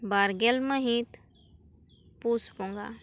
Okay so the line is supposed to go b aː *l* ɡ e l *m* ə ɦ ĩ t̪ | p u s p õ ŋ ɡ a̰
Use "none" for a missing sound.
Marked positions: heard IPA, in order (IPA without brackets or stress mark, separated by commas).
ɾ, m